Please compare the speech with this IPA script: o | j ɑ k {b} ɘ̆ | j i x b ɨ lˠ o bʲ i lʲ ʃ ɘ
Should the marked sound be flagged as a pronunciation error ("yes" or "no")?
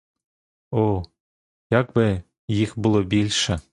no